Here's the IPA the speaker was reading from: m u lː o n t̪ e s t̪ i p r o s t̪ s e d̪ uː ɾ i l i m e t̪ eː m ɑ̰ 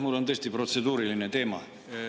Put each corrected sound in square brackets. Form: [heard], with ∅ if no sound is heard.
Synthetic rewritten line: m u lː o n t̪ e s t̪ i p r o [∅] t̪ s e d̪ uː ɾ i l i [n] e t̪ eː m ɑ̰

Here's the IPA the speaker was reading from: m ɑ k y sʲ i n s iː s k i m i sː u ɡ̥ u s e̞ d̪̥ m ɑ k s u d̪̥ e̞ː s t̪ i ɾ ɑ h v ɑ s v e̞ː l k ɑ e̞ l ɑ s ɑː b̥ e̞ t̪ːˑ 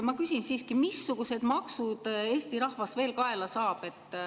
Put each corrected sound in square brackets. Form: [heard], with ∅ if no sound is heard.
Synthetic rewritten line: m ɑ k y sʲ i n s iː s k i m i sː u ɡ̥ u s e̞ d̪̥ m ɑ k s u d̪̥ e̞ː s t̪ i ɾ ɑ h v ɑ s v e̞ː l k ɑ e̞ l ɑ s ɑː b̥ e̞ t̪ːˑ

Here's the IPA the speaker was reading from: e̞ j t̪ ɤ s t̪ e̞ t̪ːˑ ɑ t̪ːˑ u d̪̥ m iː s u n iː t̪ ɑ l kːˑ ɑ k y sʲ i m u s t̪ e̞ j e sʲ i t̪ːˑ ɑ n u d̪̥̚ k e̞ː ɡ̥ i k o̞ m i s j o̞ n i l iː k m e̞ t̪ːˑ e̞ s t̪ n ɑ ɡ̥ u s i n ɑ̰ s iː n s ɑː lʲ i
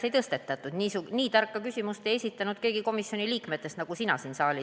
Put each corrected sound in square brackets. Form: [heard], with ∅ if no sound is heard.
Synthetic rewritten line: e̞ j t̪ ɤ s t̪ e̞ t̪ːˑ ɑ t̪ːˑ u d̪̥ [n] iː s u n iː t̪ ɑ [r] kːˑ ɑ k y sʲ i m u s t̪ e̞ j e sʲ i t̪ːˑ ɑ n u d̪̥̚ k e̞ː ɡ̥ i k o̞ m i s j o̞ n i l iː k m e̞ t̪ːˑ e̞ s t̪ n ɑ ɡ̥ u s i n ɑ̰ s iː n s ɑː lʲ i

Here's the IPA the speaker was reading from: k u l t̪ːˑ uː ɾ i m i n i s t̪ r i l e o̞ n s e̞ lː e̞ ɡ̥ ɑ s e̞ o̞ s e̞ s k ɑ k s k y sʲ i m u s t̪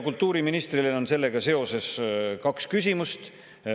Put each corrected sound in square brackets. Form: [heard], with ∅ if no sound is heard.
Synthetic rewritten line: k u l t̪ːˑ uː ɾ i m i n i s t̪ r i l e o̞ n s e̞ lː e̞ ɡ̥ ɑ s e̞ o̞ s e̞ s k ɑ k s k y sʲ i m u s t̪

